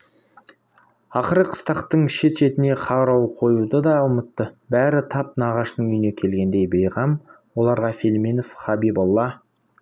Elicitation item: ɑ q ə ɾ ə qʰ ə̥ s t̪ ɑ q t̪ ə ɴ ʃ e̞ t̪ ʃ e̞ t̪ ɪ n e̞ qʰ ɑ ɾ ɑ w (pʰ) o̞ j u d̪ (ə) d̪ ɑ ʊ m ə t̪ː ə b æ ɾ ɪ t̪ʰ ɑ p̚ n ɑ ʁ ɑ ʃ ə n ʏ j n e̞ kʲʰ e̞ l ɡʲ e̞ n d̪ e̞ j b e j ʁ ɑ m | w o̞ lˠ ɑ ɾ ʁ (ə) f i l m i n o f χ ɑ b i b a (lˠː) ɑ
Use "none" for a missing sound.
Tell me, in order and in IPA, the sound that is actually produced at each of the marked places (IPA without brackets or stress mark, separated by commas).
qʰ, ə, ɑ, lˠː